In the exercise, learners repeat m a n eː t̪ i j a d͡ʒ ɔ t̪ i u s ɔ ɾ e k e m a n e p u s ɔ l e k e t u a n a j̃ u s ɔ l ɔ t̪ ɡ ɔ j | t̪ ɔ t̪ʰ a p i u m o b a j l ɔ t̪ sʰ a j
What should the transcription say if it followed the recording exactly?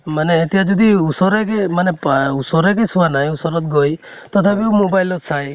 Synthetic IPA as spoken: m a n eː t̪ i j a d͡ʒ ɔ d̪ i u s ɔ ɾ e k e m a n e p u s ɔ ɾ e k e s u a n a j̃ u s ɔ ɾ ɔ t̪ ɡ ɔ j | t̪ ɔ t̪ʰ a p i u m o b a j l ɔ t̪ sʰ a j